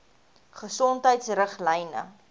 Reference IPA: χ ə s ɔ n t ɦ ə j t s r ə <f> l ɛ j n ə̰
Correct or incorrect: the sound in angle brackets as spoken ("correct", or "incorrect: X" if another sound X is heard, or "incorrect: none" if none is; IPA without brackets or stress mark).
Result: incorrect: χ